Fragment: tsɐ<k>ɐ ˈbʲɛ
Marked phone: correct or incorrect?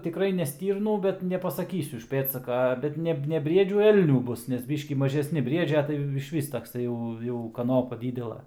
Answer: correct